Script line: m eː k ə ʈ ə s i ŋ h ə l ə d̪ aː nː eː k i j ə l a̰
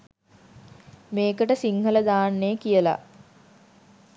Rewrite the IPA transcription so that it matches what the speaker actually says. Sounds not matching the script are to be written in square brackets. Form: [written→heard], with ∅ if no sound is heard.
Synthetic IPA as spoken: m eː k ə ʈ ə s i ŋ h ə l ə d̪ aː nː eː k i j ə l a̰